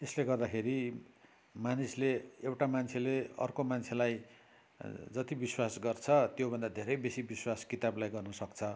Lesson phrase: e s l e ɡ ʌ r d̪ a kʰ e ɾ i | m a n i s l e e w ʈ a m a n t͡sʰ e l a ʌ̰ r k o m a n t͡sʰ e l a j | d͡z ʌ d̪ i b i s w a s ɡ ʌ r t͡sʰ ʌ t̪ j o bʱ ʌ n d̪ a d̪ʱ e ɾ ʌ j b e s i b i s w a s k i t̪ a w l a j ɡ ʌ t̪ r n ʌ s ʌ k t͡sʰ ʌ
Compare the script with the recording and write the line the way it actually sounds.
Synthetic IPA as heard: e s l e ɡ ʌ r d̪ a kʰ e ɾ i | m a n i s l e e w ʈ a m a n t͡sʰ e l e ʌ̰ r k o m a n t͡sʰ e l a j | d͡z ʌ t̪ i b i s w a s ɡ ʌ r t͡sʰ ʌ t̪ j o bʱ ʌ n d̪ a d̪ʱ e ɾ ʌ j b e s i b i s w a s k i t̪ a b l a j ɡ ʌ r n ʌ s ʌ k t͡sʰ ʌ